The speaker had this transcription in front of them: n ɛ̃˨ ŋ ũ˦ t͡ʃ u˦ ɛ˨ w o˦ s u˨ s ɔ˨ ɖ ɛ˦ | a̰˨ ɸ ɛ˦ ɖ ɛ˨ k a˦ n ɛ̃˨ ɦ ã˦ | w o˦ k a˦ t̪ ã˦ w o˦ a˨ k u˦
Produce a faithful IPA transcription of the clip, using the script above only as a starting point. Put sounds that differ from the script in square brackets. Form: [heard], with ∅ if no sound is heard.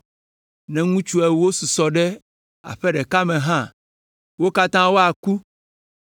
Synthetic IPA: n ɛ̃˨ ŋ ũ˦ t͡ʃ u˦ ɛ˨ w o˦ s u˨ s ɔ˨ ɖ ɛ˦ | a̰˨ ɸ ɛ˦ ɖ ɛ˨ k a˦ [m] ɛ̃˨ ɦ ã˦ | w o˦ k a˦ t̪ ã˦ w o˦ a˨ k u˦